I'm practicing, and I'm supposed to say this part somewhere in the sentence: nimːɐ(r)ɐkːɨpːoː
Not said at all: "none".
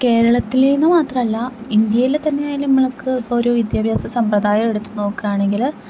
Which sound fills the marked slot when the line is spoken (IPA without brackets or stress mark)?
ɭ